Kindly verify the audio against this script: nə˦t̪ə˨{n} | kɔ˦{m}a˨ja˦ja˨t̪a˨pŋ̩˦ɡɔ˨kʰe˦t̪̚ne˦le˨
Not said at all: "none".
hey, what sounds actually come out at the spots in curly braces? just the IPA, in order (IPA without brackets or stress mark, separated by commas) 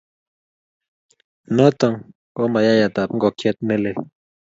ŋ, m